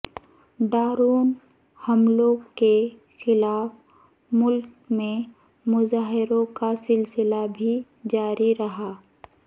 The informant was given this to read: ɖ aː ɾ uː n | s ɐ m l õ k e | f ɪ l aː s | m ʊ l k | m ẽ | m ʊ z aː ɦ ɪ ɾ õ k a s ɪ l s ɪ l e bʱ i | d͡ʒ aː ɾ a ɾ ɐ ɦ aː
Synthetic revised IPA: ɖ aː ɾ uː n | h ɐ m l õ k e | x ɪ l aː f | m ʊ l k | m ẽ | m ʊ z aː ɦ ɪ ɾ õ k a s ɪ l s ɪ l a bʱ i | d͡ʒ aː ɾ i ɾ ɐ ɦ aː